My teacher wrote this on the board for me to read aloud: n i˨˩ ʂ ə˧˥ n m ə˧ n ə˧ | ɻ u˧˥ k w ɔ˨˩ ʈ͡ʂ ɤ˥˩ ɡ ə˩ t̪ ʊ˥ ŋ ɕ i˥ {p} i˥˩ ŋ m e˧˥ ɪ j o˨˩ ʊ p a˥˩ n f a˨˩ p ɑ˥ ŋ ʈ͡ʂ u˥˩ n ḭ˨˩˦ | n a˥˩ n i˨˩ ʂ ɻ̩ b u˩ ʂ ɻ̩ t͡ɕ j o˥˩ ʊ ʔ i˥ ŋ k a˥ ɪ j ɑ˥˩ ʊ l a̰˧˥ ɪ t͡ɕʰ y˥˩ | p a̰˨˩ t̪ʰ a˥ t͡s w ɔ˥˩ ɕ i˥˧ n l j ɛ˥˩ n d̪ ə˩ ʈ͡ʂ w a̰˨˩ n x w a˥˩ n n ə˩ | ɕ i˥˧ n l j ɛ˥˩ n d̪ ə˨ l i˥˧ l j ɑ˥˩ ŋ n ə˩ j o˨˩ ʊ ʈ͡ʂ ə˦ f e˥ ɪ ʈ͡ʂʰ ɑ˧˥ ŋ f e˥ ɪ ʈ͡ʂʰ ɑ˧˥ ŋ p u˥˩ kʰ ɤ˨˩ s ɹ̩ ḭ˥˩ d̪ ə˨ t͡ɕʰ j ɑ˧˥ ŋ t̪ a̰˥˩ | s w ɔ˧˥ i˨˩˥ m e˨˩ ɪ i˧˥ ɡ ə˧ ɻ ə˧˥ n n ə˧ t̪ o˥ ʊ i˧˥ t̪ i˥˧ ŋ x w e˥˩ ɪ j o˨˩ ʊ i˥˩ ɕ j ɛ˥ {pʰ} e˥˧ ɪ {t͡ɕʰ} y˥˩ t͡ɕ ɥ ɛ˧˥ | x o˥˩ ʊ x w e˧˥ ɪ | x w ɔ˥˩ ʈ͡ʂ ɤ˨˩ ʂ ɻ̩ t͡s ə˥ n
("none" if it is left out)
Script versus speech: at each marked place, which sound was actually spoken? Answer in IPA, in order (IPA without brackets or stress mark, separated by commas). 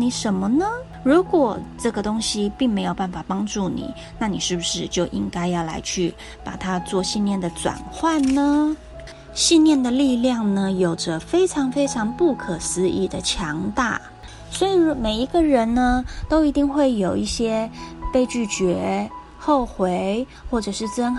p, p, t͡ɕ